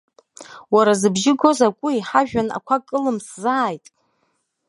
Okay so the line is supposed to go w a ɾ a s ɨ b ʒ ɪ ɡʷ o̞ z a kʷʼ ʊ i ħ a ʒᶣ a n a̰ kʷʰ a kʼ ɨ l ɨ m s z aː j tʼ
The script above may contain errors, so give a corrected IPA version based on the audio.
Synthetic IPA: w a ɾ a z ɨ b ʒ ɪ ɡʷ o̞ z a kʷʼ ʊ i ħ a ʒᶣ a n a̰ kʷʰ a kʼ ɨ l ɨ m s z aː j tʼ